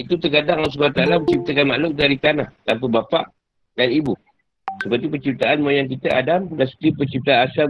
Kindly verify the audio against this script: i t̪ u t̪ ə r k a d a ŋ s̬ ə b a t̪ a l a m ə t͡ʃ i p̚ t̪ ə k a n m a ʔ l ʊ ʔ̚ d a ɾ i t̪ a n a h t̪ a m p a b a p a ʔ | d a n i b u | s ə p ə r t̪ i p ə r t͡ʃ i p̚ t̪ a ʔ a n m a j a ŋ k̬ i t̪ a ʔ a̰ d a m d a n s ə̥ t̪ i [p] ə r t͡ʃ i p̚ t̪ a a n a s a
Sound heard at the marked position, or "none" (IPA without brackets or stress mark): p